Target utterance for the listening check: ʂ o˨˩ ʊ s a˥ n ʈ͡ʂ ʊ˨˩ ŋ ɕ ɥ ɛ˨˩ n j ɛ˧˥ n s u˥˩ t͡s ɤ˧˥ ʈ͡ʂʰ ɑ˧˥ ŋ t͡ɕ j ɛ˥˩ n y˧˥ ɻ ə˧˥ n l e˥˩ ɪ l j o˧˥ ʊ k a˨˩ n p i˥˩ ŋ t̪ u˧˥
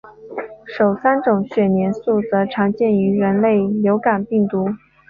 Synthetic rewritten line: ʂ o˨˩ ʊ s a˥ n ʈ͡ʂ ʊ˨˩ ŋ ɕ ɥ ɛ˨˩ n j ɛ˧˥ n s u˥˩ t͡s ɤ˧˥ ʈ͡ʂʰ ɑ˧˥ ŋ t͡ɕ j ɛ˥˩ n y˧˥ ɻ ə˧˥ n l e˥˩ ɪ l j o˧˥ ʊ k a˨˩ n p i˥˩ ŋ t̪ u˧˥